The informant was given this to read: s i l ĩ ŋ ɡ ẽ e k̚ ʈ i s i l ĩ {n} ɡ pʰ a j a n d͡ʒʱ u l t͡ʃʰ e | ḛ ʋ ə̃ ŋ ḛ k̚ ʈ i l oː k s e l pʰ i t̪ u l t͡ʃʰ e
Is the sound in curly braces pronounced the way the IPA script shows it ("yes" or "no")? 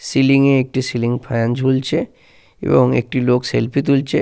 no